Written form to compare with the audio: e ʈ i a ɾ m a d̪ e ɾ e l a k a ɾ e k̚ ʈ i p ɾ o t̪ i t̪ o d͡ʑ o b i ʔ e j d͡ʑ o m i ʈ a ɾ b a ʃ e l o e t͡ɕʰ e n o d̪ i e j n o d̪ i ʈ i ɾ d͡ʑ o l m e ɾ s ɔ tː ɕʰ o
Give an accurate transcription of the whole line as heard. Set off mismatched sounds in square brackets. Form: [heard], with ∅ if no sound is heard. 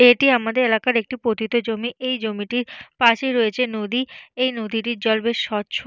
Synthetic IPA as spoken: e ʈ i a [∅] m a d̪ e ɾ e l a k a ɾ e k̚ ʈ i p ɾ o t̪ i t̪ o d͡ʑ o [m] i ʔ e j d͡ʑ o m i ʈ [i] ɾ [p] a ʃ e [ɾ] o e t͡ɕʰ e n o d̪ i e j n o d̪ i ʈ i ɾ d͡ʑ [ɔ] l [b] e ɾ [ʃ] ɔ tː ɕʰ o